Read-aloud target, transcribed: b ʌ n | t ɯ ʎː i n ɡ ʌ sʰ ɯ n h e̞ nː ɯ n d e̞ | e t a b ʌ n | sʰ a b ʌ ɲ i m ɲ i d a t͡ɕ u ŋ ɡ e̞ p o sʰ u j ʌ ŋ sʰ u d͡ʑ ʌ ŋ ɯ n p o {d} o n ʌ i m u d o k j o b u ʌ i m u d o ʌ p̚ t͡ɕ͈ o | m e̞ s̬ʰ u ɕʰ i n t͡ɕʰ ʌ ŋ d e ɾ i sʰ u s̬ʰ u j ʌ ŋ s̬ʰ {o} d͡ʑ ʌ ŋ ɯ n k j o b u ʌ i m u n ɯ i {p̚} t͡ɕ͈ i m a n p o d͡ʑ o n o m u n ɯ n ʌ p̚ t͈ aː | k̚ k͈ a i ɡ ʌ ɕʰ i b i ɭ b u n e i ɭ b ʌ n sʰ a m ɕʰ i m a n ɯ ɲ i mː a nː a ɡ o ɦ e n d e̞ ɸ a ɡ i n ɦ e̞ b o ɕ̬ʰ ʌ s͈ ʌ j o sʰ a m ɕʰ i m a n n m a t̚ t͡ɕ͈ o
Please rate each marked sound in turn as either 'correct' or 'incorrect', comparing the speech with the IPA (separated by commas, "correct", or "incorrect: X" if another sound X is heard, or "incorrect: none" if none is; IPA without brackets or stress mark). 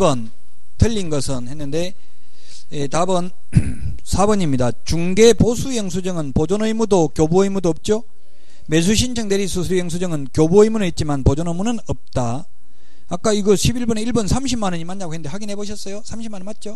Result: incorrect: d͡ʑ, incorrect: u, incorrect: t̚